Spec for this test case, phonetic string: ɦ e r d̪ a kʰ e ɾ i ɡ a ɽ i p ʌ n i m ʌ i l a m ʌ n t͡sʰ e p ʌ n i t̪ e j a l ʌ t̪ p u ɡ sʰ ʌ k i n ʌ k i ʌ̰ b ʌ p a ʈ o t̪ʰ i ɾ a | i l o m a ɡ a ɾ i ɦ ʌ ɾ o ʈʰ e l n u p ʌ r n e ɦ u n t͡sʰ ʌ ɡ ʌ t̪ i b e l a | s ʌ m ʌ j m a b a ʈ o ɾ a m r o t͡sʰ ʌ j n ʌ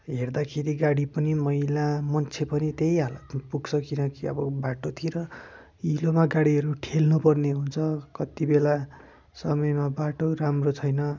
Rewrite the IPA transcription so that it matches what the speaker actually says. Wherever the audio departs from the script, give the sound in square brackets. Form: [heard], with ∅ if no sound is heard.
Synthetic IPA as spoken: ɦ e r d̪ a kʰ e ɾ i ɡ a ɽ i p ʌ n i m ʌ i l a m ʌ n t͡sʰ e p ʌ n i t̪ e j a l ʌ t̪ p u ɡ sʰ ʌ k i n ʌ k i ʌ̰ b ʌ [b] a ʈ o t̪ʰ i ɾ [ʌ] | i l o m a ɡ a [ɽ] i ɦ ʌ ɾ [u] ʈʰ e l n u p ʌ r n e ɦ u n t͡sʰ ʌ [k] ʌ t̪ i b e l a | s ʌ m ʌ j m a b a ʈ o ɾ a m r o t͡sʰ ʌ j n ʌ